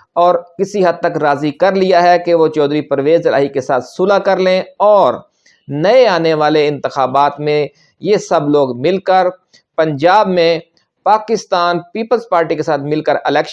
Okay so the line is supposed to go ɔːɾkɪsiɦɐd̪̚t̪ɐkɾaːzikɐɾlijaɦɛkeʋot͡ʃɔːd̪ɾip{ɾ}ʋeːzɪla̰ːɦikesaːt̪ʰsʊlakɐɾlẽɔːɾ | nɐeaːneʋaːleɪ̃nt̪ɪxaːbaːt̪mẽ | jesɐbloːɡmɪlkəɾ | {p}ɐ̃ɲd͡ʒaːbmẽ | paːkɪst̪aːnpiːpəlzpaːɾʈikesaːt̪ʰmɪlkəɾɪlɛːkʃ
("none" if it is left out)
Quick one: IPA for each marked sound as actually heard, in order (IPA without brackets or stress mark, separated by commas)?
ɾ, p